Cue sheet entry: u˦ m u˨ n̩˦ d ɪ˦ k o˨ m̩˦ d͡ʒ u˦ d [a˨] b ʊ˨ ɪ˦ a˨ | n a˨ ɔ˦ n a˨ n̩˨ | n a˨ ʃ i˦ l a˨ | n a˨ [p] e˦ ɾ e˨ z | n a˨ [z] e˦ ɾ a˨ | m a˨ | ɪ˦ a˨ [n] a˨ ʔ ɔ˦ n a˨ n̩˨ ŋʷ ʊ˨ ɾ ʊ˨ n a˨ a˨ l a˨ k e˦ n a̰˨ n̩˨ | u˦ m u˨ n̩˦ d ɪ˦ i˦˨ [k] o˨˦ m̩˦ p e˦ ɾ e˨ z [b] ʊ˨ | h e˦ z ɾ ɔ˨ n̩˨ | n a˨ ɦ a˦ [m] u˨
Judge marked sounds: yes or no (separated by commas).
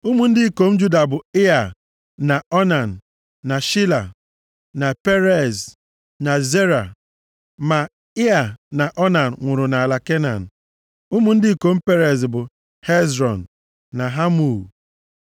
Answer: yes, yes, yes, yes, yes, yes, yes